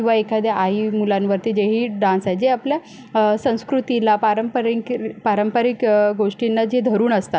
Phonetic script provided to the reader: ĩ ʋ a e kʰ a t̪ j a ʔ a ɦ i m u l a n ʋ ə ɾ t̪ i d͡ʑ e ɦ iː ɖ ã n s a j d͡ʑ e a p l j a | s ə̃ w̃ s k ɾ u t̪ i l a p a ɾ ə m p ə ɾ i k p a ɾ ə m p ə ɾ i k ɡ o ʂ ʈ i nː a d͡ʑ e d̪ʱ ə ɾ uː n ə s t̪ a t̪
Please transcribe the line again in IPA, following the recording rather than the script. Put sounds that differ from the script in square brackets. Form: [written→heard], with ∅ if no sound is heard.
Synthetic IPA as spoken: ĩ ʋ a e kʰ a [t̪→d̪] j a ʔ a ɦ i m u l a n ʋ ə ɾ t̪ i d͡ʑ e ɦ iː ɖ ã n s a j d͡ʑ e a p l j a | s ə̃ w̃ s k ɾ u t̪ i l a p a ɾ ə m p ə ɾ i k p a ɾ ə m p ə ɾ i k ɡ o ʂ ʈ i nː a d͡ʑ e d̪ʱ ə ɾ uː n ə s t̪ a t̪